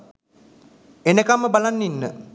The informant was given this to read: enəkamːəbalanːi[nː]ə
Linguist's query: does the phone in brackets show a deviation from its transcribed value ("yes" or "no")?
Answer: no